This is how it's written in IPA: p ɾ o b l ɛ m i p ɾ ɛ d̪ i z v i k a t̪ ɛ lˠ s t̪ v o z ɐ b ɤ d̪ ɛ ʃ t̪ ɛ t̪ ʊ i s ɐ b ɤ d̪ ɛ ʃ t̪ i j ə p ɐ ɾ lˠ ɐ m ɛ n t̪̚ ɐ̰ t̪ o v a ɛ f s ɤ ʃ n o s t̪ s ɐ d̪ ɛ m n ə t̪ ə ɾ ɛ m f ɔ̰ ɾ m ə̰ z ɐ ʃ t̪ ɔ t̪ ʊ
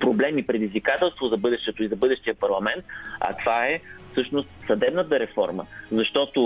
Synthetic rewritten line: p ɾ o b l ɛ m i p ɾ ɛ d̪ i z v i k a t̪ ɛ lˠ s t̪ v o z ɐ b ɤ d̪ ɛ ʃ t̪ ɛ t̪ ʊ i z ɐ b ɤ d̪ ɛ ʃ t̪ i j ə p ɐ ɾ lˠ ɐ m ɛ n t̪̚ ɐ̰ t̪ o v a ɛ f s ɤ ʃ n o s t̪ s ɐ d̪ ɛ b n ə t̪ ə ɾ ɛ f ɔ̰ ɾ m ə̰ z ɐ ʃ t̪ ɔ t̪ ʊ